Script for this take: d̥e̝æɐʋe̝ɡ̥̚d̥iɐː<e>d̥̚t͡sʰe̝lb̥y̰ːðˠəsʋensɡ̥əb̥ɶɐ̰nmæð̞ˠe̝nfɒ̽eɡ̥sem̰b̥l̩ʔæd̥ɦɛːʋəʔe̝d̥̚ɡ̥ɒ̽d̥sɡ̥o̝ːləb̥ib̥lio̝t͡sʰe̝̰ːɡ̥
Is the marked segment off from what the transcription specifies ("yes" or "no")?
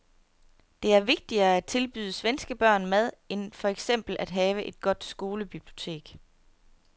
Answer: yes